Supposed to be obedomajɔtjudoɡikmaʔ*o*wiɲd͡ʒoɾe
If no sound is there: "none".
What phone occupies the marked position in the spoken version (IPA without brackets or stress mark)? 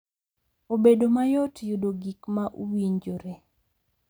u